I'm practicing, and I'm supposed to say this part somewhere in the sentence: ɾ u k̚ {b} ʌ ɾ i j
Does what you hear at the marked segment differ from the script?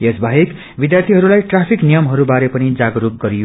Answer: yes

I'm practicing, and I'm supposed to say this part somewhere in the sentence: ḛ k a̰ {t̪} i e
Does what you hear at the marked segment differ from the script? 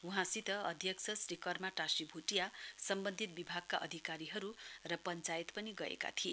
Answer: yes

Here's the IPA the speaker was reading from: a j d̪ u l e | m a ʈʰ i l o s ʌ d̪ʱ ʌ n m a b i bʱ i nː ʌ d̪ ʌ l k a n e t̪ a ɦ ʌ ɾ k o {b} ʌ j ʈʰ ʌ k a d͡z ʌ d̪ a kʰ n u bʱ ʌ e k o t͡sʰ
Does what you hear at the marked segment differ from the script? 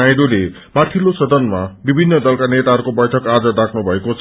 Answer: no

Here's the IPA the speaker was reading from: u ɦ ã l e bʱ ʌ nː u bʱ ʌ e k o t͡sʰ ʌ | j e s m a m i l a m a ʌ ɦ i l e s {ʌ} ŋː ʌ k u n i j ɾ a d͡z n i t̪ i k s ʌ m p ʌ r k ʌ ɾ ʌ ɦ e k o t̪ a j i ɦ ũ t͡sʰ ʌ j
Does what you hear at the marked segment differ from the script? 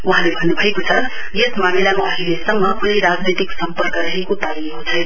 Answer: no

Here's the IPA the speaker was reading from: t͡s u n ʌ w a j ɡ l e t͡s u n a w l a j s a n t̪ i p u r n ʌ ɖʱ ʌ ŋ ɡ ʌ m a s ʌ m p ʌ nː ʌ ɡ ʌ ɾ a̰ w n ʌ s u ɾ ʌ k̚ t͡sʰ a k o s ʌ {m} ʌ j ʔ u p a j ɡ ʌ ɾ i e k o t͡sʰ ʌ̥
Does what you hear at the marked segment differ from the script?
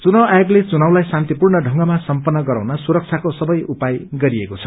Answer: yes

